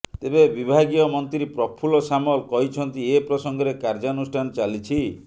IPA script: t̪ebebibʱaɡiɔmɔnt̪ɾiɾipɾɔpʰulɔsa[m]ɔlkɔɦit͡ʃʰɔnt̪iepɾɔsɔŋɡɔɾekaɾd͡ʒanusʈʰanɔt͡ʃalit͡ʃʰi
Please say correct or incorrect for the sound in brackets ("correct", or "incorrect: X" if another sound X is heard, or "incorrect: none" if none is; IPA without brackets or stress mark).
correct